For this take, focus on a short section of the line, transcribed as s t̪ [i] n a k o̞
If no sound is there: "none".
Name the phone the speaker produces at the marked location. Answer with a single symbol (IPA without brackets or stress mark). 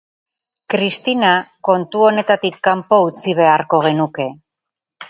i